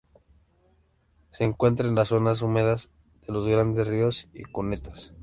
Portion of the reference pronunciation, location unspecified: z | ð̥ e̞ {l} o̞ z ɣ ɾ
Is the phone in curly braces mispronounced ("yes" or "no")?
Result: no